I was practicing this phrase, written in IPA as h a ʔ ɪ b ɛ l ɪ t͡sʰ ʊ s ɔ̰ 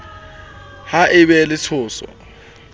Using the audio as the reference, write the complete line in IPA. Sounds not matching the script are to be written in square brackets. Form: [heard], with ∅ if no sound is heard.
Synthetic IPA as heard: h a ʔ ɪ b ɛ l ɪ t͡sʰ [ʊː] s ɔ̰